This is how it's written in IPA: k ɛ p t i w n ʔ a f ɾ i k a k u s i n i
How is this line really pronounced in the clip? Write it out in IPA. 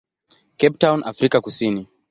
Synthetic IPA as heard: k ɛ p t a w n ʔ a f ɾ i k a k u s i n i